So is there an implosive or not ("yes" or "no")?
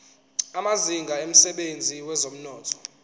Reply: yes